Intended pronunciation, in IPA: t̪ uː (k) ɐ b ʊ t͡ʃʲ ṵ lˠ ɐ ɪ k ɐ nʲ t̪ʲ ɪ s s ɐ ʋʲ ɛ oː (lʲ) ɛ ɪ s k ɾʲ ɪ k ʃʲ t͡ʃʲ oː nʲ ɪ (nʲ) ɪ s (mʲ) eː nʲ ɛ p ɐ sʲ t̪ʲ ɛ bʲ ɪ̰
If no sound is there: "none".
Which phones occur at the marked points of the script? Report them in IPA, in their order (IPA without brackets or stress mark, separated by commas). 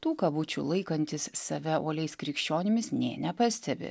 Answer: k, lʲ, mʲ, nʲ